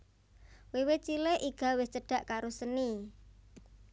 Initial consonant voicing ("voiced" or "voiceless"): voiced